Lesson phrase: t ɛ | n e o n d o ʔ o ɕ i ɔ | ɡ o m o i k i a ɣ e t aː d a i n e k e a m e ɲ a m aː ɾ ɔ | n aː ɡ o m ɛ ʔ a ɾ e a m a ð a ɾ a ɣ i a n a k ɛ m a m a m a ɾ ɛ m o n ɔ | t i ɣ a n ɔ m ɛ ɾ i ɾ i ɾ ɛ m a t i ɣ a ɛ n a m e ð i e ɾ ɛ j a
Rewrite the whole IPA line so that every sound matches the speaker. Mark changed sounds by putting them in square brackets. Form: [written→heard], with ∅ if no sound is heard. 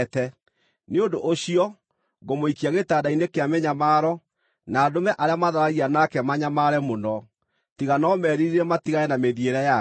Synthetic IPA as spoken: t ɛ | n e o n d o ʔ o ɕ i ɔ | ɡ o m o i k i a ɣ e t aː d a i n e k e a m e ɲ a m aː ɾ ɔ | n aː [ɡ→d] o m ɛ ʔ a ɾ e a m a ð a ɾ a ɣ i a n a k ɛ m a [m→ɲ] a m a ɾ ɛ m o n ɔ | t i ɣ a n ɔ m ɛ ɾ i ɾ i ɾ ɛ m a t i ɣ a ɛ n a m e ð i e ɾ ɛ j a